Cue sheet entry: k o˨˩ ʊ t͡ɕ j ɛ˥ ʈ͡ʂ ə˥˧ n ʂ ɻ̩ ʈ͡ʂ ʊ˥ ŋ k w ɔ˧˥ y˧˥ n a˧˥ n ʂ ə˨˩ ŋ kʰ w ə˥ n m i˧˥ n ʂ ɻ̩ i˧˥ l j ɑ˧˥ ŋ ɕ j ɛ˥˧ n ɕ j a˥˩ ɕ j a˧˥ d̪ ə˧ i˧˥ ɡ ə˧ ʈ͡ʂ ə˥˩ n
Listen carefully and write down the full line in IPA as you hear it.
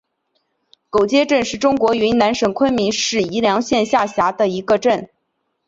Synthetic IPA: k o˨˩ ʊ t͡ɕ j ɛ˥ ʈ͡ʂ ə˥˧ n ʂ ɻ̩ ʈ͡ʂ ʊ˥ ŋ k w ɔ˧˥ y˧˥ n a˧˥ n ʂ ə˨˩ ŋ kʰ w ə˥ n m i˧˥ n ʂ ɻ̩ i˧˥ l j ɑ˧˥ ŋ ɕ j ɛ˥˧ n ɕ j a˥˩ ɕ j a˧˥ d̪ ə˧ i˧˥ ɡ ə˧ ʈ͡ʂ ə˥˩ n